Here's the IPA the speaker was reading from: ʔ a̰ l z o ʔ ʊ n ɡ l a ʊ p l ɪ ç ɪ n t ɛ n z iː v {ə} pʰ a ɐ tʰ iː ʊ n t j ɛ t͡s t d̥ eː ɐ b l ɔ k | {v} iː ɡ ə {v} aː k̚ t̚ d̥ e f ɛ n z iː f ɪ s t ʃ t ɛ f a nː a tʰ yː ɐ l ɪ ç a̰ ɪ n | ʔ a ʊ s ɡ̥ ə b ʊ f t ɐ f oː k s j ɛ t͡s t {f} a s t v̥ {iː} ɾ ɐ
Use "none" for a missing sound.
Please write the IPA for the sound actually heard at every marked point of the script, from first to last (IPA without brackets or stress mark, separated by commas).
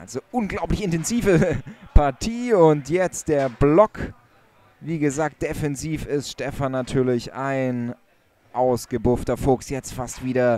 ə, v, z, f, iː